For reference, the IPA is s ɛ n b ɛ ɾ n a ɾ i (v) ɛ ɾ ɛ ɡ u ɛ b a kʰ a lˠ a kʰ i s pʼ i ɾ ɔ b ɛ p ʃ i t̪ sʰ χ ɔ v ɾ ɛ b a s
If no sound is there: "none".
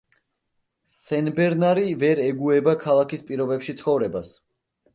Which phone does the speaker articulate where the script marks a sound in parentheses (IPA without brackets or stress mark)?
v